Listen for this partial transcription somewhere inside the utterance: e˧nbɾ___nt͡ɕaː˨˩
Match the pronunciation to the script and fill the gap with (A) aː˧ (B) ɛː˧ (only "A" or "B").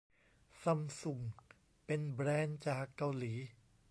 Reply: B